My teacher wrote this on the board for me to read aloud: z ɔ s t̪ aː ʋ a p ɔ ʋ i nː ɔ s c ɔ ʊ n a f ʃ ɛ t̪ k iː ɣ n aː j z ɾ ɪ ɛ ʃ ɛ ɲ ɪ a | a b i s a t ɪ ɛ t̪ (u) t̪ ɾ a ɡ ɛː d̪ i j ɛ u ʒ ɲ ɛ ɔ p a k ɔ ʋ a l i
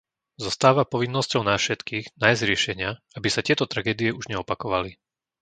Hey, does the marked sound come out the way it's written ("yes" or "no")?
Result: no